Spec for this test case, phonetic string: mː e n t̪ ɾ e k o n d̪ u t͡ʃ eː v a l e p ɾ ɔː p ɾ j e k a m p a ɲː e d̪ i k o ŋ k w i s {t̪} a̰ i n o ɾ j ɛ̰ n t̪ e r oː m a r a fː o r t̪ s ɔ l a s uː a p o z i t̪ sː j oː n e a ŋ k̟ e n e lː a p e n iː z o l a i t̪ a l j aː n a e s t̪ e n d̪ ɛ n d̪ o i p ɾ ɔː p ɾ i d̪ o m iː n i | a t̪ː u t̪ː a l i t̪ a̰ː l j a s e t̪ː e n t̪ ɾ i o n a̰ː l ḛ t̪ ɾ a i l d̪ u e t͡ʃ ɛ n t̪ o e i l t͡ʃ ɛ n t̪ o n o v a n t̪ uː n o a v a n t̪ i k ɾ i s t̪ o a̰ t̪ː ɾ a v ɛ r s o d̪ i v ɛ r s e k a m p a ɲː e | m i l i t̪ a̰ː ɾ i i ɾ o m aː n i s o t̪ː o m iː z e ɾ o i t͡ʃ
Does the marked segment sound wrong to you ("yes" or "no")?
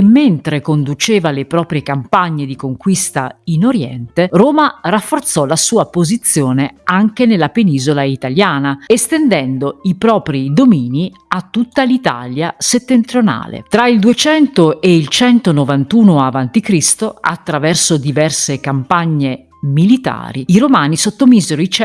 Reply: no